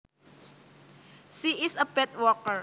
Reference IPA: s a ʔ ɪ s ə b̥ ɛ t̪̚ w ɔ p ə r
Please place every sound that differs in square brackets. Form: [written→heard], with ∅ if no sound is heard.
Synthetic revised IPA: s [a→i] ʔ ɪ s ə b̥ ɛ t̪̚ w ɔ [p→k] ə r